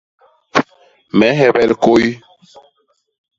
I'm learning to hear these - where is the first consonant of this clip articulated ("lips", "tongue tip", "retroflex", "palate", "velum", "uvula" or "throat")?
lips